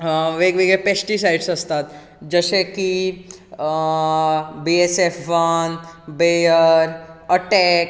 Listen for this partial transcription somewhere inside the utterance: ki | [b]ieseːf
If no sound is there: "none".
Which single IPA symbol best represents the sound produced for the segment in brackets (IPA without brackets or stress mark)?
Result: b